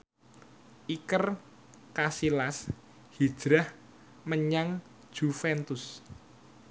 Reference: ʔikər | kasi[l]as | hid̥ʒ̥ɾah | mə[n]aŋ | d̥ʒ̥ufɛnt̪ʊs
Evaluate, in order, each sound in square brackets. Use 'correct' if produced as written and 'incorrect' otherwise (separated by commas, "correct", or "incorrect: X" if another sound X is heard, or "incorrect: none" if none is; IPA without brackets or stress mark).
correct, incorrect: ɲ